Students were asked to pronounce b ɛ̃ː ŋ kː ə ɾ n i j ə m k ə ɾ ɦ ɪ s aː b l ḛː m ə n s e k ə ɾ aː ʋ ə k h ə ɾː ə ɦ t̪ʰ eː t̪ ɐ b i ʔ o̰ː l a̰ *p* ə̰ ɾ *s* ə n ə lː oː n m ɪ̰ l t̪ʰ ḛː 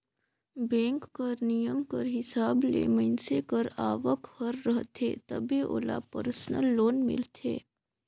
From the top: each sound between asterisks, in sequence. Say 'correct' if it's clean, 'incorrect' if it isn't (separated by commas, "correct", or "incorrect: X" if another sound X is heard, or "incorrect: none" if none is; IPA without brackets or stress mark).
correct, correct